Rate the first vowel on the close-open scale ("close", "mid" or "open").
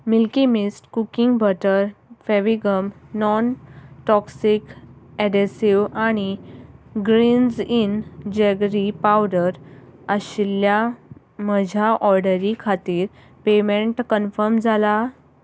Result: close